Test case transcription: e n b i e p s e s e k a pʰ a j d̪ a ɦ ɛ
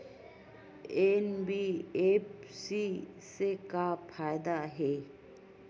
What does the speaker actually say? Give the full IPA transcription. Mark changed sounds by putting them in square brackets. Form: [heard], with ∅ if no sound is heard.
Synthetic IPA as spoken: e n b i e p s [i] s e k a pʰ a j d̪ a ɦ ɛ